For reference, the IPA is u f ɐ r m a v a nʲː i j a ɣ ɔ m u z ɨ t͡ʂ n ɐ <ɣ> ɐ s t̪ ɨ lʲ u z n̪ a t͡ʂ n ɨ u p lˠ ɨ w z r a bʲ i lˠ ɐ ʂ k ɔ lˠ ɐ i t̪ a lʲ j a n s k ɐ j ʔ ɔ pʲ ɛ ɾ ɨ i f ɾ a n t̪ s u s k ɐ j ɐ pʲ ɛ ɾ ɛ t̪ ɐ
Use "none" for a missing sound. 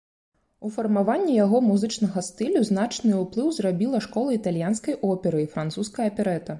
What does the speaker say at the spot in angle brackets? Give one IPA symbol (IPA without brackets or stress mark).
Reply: ɣ